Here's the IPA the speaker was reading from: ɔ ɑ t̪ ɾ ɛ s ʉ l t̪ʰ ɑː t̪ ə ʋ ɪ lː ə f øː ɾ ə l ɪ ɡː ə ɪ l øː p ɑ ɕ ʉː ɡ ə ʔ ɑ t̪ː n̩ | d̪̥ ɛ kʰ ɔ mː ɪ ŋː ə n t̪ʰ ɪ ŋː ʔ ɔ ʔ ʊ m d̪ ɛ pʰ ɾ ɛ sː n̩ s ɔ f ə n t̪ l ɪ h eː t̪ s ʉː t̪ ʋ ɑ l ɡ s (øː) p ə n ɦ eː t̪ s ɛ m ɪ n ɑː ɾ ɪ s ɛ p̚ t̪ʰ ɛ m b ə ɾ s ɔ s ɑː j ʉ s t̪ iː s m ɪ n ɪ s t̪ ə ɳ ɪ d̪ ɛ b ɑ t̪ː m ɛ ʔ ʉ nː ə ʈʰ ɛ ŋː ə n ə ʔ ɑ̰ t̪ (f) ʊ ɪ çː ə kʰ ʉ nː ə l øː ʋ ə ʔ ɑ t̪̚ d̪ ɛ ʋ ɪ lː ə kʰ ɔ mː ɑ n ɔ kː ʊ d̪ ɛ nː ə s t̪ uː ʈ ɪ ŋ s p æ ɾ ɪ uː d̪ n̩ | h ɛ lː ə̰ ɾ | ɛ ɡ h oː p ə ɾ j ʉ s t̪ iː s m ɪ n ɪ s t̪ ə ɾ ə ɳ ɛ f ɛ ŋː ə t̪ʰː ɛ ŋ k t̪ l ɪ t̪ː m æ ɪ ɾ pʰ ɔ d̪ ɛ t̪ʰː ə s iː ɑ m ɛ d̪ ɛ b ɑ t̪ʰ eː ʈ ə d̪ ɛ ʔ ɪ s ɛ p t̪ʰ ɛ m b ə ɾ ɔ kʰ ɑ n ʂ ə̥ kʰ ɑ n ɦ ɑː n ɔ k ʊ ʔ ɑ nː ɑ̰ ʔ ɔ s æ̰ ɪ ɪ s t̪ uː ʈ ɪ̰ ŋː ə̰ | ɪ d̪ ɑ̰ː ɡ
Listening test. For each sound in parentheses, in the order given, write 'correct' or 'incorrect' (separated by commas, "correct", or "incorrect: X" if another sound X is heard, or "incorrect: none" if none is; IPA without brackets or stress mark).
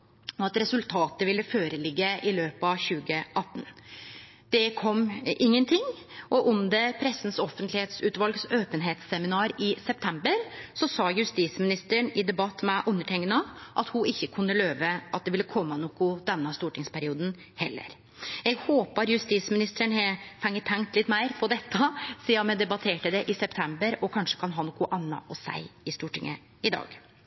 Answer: correct, incorrect: h